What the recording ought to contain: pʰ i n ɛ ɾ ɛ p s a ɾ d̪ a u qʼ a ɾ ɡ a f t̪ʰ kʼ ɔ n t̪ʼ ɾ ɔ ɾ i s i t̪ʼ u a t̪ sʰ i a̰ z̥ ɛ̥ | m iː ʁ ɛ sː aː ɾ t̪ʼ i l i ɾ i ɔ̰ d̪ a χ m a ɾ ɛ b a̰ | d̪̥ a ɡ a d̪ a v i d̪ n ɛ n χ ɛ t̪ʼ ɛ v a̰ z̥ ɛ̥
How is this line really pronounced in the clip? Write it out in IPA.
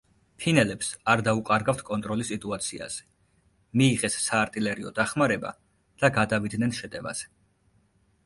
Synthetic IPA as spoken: pʰ i n ɛ l ɛ p s a ɾ d̪ a u qʼ a ɾ ɡ a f t̪ʰ kʼ ɔ n t̪ʼ ɾ ɔ l i s i t̪ʼ u a t̪ sʰ i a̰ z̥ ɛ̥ | m iː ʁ ɛ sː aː ɾ t̪ʼ i l ɛ ɾ i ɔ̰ d̪ a χ m a ɾ ɛ b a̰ | d̪̥ a ɡ a d̪ a v i d̪ n ɛ n ʃ ɛ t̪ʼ ɛ v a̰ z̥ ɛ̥